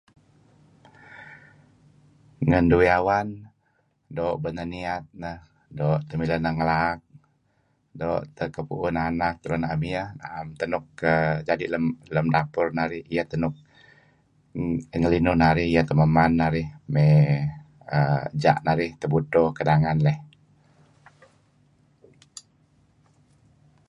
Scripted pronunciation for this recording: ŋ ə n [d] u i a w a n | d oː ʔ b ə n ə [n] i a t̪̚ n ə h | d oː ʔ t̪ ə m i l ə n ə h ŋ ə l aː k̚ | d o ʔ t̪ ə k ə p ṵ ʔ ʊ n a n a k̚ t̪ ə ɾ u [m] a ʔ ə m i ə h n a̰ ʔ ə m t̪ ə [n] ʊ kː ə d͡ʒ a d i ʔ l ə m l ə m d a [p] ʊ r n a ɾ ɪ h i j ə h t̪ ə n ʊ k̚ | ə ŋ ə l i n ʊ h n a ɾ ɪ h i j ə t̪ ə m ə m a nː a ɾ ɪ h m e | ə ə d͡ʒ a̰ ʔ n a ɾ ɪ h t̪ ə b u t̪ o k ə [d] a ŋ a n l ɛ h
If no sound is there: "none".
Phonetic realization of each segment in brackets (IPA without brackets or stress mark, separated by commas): d, n, n, n, p, d